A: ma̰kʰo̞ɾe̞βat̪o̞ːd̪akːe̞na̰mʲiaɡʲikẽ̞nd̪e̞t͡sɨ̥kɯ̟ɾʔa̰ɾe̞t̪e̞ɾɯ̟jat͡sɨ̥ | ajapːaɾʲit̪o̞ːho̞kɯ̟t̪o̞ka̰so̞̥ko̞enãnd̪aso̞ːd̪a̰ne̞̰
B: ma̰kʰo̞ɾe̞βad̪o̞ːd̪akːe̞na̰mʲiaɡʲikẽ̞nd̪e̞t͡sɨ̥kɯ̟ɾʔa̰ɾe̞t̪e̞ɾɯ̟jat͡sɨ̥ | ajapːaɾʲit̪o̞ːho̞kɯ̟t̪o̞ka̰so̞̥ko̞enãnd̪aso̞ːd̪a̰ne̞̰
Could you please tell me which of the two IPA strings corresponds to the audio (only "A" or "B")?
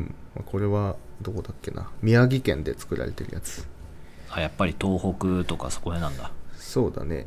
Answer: B